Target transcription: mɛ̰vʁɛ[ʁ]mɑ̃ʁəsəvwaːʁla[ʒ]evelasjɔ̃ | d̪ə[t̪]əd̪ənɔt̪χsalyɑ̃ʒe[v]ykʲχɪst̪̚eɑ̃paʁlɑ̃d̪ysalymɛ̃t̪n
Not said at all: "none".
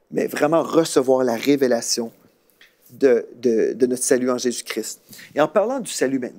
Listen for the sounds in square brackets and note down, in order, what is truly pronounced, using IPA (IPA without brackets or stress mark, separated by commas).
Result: none, ʁ, d̪, z